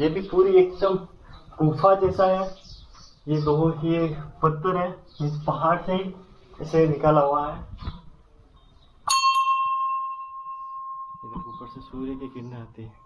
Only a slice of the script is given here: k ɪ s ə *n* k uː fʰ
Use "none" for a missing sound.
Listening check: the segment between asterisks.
m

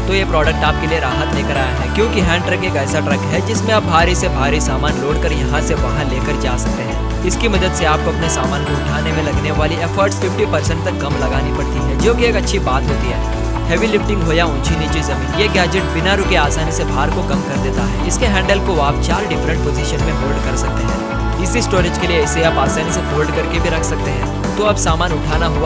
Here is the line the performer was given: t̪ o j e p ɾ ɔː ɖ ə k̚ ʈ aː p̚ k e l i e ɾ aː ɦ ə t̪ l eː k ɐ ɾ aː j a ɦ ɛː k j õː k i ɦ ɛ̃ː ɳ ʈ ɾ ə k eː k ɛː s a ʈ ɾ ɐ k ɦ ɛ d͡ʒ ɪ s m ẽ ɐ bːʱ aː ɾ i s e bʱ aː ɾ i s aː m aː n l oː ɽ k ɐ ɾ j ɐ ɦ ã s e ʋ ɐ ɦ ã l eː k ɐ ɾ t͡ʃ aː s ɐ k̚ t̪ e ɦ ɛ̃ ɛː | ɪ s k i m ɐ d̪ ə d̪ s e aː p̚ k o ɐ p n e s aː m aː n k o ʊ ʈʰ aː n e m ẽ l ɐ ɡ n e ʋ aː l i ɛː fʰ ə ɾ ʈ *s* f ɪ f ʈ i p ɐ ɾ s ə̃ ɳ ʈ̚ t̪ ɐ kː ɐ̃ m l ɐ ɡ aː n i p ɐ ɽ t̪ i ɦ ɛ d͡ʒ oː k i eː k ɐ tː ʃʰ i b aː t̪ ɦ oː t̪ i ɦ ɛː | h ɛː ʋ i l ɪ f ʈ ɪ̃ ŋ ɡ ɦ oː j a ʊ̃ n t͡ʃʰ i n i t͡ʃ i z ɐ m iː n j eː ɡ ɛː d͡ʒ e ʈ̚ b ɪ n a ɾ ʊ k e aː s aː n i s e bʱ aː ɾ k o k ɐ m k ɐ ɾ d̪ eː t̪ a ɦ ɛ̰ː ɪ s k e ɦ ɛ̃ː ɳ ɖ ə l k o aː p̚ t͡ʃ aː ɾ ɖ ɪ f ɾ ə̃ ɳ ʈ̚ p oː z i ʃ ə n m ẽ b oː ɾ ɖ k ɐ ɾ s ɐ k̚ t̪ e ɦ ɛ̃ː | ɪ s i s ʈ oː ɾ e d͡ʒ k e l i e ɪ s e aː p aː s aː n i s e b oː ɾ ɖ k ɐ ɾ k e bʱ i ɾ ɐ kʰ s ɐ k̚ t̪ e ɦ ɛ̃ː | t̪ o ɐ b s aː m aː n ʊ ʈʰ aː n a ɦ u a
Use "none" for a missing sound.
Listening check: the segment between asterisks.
s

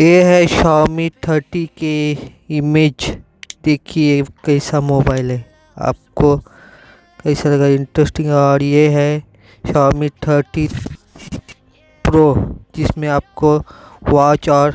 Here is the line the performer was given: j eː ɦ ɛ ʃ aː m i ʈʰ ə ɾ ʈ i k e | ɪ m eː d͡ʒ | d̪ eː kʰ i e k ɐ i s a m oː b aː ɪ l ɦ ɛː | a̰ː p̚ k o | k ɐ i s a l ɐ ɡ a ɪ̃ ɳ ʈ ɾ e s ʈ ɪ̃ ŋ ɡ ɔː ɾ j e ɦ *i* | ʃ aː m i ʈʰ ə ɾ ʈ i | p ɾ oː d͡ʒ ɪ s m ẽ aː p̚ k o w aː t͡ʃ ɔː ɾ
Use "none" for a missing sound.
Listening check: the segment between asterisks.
ɛ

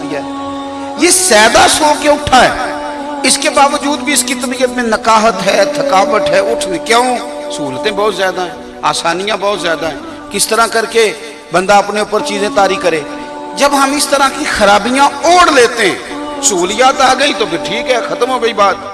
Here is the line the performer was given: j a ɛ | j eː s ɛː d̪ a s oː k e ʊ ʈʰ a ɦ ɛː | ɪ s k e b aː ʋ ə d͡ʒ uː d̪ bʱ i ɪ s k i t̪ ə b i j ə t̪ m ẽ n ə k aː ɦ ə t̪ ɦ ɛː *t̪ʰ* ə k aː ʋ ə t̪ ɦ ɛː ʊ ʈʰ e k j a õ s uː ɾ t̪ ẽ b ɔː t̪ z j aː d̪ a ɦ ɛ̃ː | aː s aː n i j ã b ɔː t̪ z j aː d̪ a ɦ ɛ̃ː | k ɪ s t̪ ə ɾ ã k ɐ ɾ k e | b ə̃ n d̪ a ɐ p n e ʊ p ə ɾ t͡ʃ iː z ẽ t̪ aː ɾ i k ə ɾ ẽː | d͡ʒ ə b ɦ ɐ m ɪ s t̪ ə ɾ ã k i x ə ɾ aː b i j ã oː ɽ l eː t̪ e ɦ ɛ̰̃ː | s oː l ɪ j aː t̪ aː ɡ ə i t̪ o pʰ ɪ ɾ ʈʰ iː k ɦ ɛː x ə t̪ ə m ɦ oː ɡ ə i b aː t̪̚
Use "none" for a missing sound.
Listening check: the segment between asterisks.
t̪ʰ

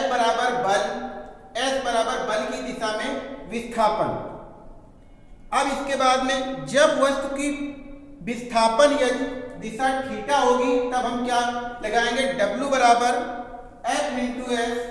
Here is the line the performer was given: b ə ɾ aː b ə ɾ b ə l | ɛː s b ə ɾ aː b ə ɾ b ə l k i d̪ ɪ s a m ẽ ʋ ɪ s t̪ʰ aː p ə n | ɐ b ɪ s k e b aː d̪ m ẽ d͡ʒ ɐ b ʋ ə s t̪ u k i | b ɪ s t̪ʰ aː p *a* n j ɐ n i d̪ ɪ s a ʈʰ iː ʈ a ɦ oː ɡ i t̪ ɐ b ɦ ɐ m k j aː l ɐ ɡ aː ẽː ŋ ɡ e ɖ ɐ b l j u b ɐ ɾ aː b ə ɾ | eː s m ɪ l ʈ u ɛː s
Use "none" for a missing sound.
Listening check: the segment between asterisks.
ə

